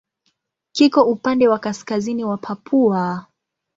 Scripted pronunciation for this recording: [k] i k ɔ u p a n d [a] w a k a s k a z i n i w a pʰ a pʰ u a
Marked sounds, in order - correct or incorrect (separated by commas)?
correct, incorrect